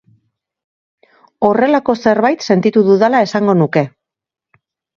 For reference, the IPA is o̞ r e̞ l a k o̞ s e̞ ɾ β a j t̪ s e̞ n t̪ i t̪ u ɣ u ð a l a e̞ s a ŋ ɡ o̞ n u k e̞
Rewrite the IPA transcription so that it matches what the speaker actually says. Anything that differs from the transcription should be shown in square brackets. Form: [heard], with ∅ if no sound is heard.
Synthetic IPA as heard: o̞ r e̞ l a k o̞ s e̞ ɾ β a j t̪ s e̞ n t̪ i t̪ u [ð] u ð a l a e̞ s a ŋ ɡ o̞ n u k e̞